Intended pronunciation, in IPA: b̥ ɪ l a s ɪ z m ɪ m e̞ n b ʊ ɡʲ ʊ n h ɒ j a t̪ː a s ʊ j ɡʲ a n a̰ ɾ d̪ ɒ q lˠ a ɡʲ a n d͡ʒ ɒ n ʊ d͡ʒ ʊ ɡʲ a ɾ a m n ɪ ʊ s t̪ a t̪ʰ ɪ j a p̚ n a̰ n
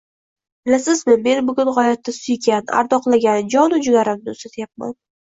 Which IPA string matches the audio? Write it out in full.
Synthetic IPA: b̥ ɪ l a s ɪ z m ɪ m e̞ n b ʊ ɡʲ ʊ n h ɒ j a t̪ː a s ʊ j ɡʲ a n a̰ ɾ d̪ ɒ q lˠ a ɡʲ a n d͡ʒ ɒ n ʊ d͡ʒ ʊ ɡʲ a ɾ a m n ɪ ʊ s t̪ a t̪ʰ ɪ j a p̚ m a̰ n